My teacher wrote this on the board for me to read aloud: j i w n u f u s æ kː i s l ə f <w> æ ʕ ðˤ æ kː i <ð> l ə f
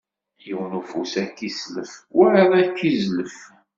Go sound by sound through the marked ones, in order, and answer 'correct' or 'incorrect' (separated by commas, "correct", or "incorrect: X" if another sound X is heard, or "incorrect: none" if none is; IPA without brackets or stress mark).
correct, incorrect: z